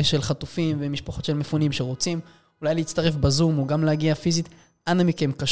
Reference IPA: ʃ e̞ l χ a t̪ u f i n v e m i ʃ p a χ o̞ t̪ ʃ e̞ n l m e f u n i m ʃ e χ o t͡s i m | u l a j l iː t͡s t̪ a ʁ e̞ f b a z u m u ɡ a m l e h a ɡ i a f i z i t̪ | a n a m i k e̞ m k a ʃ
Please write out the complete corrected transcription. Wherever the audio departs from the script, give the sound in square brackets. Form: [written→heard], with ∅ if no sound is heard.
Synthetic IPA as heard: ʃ e̞ l χ a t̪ u f i [n→m] v e m i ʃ p a χ o̞ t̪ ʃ e̞ [n→∅] l m e f u n i m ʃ e [χ→ʁ] o t͡s i m | u l a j l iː t͡s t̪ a ʁ e̞ f b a z u m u ɡ a m l e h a ɡ i a f i z i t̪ | a n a m i k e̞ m k a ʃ